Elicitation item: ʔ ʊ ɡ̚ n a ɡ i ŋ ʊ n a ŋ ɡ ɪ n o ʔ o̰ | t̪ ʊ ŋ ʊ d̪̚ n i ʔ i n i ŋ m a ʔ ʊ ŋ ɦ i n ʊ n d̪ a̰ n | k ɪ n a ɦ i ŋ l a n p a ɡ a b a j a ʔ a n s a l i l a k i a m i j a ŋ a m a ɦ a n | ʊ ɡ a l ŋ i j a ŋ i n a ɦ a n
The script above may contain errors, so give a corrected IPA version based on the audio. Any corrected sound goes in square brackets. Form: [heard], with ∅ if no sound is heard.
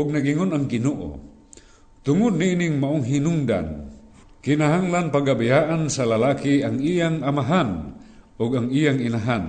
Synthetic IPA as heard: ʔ ʊ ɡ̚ n a ɡ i ŋ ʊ n a ŋ ɡ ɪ n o ʔ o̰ | t̪ ʊ ŋ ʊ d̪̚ n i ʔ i n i ŋ m a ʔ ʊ ŋ ɦ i n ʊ [ŋ] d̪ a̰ n | k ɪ n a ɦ [a] ŋ l a n p a ɡ a b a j a ʔ a n s a l [a] l a k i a [ŋ] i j a ŋ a m a ɦ a n | ʊ ɡ a [∅] ŋ i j a ŋ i n a ɦ a n